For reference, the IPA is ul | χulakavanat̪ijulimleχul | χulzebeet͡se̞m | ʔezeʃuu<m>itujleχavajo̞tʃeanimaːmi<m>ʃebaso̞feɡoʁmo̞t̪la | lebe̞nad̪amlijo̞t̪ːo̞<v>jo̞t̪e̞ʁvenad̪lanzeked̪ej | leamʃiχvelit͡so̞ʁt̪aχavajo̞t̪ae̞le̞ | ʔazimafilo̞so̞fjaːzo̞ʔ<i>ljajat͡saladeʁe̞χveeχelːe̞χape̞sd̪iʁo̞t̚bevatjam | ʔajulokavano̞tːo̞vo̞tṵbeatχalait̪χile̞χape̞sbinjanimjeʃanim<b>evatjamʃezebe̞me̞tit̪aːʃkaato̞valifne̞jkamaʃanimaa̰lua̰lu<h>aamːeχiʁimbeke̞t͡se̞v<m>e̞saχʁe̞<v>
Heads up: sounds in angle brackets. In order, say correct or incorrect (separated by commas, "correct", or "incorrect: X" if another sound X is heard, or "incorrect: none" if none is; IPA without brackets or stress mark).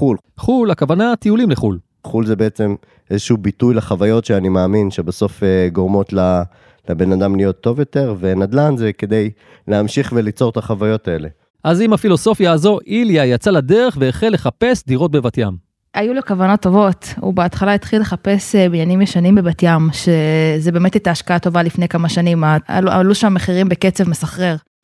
incorrect: b, incorrect: n, correct, correct, correct, incorrect: ʃ, correct, incorrect: ʁ